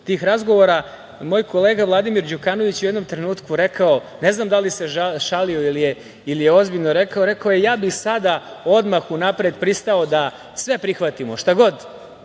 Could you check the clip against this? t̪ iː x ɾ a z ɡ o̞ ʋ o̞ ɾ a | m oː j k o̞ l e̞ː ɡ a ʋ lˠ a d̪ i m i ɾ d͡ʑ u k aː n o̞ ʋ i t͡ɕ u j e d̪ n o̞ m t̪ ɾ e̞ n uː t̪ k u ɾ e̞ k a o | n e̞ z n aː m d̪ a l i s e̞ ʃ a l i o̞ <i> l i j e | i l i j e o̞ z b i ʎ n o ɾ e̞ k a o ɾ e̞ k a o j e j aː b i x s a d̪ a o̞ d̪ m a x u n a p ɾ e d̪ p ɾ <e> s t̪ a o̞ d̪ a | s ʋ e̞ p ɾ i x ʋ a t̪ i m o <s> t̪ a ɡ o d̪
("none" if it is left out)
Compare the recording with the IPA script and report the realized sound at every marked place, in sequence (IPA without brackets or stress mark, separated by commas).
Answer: i, i, ʃ